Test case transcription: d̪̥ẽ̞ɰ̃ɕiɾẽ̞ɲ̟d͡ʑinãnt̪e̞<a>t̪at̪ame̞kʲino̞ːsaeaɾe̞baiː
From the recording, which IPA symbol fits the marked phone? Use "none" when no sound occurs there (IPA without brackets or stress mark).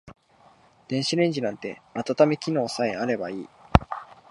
a